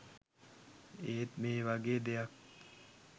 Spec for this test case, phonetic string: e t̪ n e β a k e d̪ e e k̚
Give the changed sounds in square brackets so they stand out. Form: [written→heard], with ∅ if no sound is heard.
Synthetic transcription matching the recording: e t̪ [n→m] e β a [k→ɡ] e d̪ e [e→a] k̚